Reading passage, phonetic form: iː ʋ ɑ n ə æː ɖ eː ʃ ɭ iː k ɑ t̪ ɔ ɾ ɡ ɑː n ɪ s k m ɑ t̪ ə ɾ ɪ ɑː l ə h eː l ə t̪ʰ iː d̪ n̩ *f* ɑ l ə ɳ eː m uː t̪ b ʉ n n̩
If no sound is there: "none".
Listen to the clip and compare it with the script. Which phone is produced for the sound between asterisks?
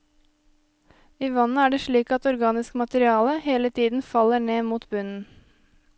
f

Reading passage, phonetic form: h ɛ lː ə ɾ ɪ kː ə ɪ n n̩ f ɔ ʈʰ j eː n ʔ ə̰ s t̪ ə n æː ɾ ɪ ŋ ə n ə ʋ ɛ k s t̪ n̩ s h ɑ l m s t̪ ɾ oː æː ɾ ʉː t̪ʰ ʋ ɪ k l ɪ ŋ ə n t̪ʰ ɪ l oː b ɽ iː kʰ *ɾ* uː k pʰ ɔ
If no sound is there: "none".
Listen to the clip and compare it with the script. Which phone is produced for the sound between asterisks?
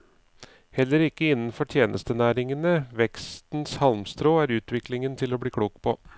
ɽ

